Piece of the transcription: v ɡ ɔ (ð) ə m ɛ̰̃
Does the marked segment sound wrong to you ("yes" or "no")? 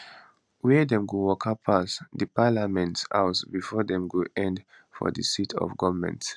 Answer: yes